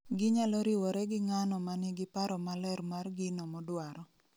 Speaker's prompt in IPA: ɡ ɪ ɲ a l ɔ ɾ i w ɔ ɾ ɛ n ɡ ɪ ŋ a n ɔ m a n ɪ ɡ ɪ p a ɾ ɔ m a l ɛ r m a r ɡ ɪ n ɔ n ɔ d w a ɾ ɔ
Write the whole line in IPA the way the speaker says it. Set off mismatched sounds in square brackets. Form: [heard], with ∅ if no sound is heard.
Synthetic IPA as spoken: ɡ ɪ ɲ a l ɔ ɾ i w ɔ ɾ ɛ [∅] ɡ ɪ ŋ a n ɔ m a n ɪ ɡ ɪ p a ɾ ɔ m a l ɛ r m a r ɡ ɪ n ɔ [m] ɔ d w a ɾ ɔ